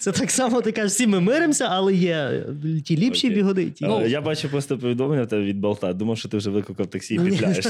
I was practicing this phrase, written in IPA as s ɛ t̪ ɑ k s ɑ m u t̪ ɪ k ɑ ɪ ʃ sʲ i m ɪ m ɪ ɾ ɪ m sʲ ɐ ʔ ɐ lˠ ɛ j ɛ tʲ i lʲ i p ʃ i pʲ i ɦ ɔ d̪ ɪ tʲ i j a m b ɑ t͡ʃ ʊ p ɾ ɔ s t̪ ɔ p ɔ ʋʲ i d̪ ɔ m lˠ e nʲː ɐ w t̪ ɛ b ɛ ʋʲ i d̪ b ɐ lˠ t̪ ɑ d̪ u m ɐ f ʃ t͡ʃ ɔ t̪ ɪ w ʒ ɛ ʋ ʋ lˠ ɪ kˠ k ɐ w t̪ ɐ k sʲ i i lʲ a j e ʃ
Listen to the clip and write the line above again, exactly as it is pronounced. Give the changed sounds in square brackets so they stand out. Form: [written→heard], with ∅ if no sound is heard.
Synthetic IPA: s ɛ t̪ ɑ k s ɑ m [u→ɔ] t̪ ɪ k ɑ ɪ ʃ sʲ i m ɪ m ɪ ɾ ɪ m sʲ ɐ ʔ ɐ lˠ ɛ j ɛ tʲ i lʲ i p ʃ i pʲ i ɦ ɔ d̪ ɪ tʲ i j a [m→∅] b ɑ t͡ʃ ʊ p ɾ ɔ s t̪ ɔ p ɔ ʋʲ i d̪ ɔ m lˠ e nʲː ɐ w t̪ ɛ b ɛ ʋʲ i d̪ b ɐ lˠ t̪ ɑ d̪ u m ɐ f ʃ t͡ʃ ɔ t̪ ɪ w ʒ ɛ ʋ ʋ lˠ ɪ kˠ k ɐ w t̪ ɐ k sʲ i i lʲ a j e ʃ